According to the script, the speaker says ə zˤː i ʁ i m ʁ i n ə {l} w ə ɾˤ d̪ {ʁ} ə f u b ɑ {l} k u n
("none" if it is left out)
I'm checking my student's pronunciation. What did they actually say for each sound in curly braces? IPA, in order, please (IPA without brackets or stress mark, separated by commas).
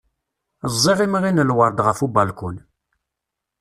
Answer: l, ʁ, l